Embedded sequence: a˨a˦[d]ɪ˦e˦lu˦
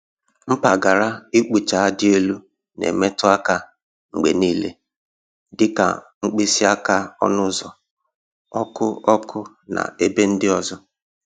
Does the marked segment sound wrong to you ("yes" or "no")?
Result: no